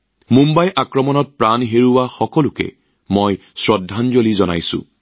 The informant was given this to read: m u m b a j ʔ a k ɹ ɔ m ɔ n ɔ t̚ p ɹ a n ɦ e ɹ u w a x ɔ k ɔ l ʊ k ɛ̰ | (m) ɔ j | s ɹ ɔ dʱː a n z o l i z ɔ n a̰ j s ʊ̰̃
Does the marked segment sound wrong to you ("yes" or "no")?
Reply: no